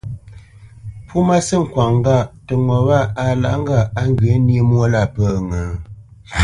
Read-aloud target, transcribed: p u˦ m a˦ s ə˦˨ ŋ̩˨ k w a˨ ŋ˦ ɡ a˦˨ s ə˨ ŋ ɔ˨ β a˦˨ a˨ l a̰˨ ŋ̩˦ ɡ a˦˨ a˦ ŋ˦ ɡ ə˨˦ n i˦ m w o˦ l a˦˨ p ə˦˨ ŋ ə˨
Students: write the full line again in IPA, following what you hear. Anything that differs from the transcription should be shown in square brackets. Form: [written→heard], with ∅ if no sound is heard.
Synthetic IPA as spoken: p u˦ m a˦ s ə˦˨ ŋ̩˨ k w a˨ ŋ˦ ɡ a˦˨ [s→t] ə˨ ŋ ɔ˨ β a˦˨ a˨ l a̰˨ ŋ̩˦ ɡ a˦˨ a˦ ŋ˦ ɡ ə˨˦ n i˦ m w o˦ l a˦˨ p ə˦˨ ŋ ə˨